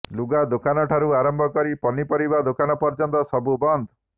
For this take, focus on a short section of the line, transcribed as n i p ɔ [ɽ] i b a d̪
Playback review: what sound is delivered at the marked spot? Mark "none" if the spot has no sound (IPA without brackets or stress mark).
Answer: ɾ